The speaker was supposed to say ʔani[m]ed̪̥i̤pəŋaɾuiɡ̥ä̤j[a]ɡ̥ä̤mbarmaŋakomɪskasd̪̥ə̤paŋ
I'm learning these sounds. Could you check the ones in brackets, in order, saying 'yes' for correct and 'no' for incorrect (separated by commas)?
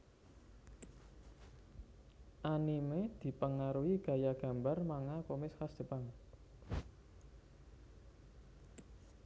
yes, yes